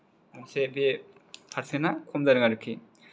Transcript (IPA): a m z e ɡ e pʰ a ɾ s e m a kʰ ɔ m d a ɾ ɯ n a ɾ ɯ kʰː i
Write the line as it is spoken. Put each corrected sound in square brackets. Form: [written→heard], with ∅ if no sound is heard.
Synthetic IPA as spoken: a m [z→s] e [ɡ→b] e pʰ a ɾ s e [m→n] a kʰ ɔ m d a ɾ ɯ [n→ŋ] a ɾ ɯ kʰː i